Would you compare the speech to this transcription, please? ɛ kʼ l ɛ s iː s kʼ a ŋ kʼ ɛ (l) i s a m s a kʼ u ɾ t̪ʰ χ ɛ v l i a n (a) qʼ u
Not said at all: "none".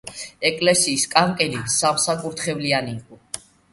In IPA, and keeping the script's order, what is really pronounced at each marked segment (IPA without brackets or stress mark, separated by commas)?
l, i